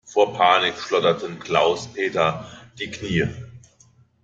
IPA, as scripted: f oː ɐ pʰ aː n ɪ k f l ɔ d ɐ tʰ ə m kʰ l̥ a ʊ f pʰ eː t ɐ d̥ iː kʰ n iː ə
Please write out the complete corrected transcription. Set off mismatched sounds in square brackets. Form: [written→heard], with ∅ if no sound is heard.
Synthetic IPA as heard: f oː ɐ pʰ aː n ɪ k [f→ʃ] l ɔ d ɐ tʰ ə [m→n] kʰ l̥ a ʊ [f→s] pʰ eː t ɐ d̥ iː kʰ n iː ə